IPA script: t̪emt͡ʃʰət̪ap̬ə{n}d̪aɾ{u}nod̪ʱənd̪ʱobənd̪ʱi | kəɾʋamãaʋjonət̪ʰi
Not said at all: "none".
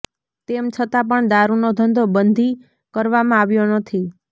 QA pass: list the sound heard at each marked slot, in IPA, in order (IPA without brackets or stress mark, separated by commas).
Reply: ɳ, u